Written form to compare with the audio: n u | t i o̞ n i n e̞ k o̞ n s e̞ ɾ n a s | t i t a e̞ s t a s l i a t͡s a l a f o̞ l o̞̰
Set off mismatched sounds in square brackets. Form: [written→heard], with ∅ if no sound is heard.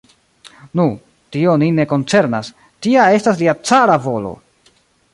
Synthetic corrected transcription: n u | t i o̞ n i n e̞ k o̞ n [s→t͡s] e̞ ɾ n a s | t i [t→∅] a e̞ s t a s l i a t͡s a [l→ɾ] a [f→v] o̞ l o̞̰